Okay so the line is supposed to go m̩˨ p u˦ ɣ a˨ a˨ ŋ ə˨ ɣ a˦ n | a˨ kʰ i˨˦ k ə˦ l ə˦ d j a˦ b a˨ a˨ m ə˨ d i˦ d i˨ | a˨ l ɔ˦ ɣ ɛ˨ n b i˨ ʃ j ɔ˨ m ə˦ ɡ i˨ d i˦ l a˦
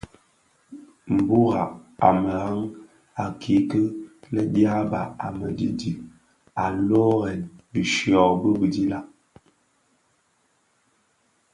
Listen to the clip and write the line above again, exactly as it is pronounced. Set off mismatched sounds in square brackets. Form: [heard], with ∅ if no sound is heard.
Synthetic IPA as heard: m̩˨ [b] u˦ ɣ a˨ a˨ [m] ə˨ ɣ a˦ [ŋ] | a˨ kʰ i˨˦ k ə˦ l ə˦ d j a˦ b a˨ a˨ m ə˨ d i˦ d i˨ | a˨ l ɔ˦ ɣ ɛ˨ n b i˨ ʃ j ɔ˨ [b] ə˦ [b] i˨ d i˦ l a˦